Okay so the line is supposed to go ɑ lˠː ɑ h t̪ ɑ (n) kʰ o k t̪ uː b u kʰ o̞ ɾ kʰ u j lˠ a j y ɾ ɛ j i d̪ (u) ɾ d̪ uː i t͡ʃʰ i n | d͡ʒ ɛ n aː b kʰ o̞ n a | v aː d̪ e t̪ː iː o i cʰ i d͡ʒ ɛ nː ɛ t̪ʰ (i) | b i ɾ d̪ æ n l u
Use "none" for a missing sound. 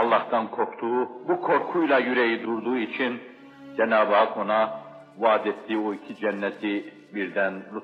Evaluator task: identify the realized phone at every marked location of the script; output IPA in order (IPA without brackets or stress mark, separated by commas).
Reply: n, u, i